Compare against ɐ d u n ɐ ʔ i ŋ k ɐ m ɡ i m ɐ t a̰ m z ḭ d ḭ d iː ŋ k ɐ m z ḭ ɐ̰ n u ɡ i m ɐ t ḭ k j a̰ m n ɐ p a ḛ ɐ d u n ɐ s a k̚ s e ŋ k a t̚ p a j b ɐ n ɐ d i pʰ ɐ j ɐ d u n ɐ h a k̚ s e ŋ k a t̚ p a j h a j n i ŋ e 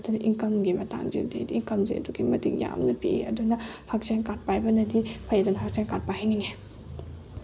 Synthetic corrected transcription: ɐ d u n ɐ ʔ i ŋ k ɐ m ɡ i m ɐ t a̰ ŋ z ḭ d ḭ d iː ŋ k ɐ m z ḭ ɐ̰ d u ɡ i m ɐ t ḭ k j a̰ m n ɐ p i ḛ ɐ d u n ɐ h a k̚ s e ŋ k a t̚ p a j b ɐ n ɐ d i pʰ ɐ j ɐ d u n ɐ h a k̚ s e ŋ k a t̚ p a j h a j n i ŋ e